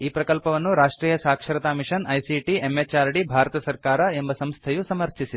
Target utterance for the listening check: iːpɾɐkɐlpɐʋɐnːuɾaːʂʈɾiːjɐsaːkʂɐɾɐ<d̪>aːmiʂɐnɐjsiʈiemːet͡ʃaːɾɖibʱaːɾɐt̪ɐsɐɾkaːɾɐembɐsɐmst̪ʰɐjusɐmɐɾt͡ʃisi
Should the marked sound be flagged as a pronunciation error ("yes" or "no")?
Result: yes